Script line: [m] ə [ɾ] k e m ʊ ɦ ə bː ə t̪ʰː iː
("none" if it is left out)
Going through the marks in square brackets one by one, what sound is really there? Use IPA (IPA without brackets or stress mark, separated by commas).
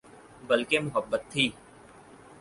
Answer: b, l